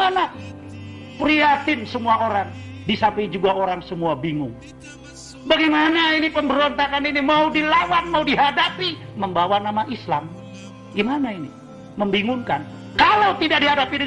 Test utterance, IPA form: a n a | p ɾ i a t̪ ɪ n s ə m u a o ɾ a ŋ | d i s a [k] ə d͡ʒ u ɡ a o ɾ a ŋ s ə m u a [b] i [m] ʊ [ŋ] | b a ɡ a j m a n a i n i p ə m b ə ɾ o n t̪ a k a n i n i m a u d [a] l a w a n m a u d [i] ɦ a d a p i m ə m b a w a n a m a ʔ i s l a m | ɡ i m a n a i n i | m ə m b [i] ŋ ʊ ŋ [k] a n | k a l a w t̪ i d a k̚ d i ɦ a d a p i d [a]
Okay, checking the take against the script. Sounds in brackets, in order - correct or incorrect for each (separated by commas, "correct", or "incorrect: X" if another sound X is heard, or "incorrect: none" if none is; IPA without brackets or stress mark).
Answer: incorrect: p, correct, incorrect: ŋ, correct, incorrect: i, correct, correct, correct, incorrect: ə